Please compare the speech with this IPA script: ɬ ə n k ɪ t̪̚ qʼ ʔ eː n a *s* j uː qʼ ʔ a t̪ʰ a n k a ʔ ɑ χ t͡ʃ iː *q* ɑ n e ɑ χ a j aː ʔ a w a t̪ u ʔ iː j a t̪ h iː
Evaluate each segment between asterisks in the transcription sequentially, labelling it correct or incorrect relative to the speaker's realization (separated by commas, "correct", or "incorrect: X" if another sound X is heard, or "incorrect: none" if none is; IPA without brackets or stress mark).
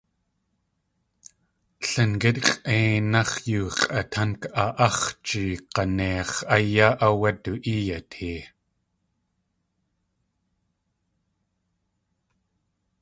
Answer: incorrect: χ, correct